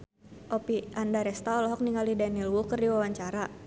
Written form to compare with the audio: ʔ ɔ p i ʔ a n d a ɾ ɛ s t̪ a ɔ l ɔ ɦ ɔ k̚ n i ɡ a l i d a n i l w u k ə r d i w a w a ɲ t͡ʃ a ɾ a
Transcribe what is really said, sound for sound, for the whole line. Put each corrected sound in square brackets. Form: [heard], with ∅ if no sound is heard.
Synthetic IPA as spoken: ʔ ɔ p i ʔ a n d a ɾ ɛ s t̪ a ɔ l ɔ ɦ ɔ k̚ n i [ŋ] a l i d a n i l w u k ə r d i w a w a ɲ t͡ʃ a ɾ a